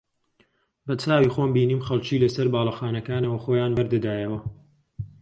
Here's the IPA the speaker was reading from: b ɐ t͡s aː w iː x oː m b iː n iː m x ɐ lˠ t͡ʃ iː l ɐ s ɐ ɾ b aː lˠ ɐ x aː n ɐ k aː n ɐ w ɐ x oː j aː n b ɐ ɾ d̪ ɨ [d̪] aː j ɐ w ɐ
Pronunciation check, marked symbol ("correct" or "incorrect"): correct